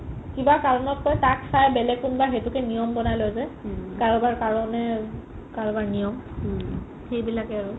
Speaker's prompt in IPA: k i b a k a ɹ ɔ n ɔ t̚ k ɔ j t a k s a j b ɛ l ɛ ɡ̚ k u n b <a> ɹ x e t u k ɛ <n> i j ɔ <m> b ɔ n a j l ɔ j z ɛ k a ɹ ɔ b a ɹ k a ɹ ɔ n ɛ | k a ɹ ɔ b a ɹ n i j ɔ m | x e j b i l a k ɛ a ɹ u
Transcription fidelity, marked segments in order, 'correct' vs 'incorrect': correct, correct, correct

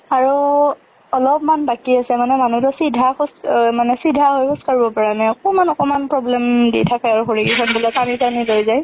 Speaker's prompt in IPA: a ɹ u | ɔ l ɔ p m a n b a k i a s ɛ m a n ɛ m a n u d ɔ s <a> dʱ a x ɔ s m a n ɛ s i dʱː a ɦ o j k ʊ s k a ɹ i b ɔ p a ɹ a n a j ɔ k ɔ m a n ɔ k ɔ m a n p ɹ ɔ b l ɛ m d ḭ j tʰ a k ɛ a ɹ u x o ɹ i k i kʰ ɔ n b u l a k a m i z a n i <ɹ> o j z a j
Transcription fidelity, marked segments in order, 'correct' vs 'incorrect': incorrect: i, incorrect: l

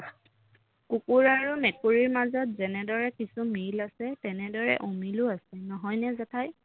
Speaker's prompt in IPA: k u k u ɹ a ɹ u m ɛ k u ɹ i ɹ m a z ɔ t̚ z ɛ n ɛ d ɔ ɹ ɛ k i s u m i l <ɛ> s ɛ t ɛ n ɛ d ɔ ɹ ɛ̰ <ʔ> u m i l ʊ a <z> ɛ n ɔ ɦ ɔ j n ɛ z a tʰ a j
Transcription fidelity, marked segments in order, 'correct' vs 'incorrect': incorrect: a, correct, incorrect: s

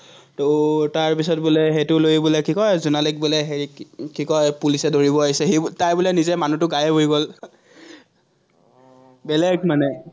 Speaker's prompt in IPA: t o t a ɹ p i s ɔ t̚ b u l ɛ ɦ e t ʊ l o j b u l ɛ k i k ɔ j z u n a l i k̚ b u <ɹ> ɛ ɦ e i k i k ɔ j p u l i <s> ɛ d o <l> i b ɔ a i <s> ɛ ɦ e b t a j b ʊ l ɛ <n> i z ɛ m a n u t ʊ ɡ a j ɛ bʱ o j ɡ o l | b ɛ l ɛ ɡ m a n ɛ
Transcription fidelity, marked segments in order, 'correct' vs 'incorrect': incorrect: l, correct, incorrect: ɹ, correct, correct

